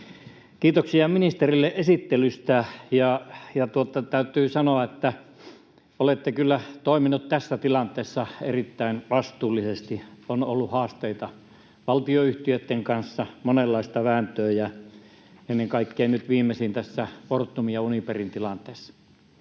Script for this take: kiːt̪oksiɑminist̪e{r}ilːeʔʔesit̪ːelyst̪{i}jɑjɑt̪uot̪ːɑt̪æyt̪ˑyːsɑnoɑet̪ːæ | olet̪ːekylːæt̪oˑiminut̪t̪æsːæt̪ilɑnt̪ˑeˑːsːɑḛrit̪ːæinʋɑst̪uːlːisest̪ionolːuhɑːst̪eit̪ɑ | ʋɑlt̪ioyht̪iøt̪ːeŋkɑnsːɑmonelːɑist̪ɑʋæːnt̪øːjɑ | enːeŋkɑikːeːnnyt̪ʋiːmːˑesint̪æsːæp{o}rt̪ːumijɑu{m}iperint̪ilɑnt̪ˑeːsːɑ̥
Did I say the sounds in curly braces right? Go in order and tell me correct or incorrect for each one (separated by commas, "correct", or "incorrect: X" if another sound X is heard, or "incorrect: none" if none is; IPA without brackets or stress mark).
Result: correct, incorrect: æ, correct, incorrect: n